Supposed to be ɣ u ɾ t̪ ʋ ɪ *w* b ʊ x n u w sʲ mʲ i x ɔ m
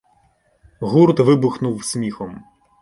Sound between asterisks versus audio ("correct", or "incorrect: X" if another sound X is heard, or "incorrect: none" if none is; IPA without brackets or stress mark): incorrect: none